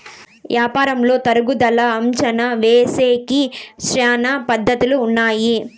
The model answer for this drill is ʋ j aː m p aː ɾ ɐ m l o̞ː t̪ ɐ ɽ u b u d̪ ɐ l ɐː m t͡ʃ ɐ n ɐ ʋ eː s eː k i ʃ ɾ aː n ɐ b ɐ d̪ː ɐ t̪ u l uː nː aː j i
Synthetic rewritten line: ʋ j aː p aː ɾ ɐ m l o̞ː t̪ ɐ ɾ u ɡ u d̪ ɐ l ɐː m t͡ʃ ɐ n ɐ ʋ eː s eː k i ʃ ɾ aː n ɐ p ɐ d̪ː ɐ t̪ u l uː nː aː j i